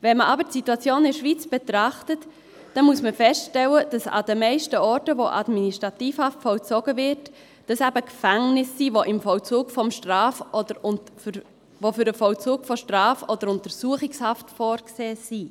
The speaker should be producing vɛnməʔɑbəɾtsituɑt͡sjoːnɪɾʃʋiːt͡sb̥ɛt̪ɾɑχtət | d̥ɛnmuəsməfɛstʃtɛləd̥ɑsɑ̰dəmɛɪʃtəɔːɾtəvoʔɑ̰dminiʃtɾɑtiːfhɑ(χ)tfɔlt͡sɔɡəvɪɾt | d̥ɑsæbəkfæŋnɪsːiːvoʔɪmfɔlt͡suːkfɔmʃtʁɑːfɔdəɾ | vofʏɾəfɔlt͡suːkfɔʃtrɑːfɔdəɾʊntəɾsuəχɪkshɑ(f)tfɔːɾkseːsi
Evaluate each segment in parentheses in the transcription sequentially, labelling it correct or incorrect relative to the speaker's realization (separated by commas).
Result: incorrect, correct